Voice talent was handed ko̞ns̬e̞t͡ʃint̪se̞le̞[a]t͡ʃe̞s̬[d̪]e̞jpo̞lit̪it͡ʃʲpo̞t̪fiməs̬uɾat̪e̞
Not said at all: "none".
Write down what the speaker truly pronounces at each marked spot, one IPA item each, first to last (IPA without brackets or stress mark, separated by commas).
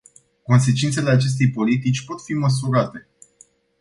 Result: a, t̪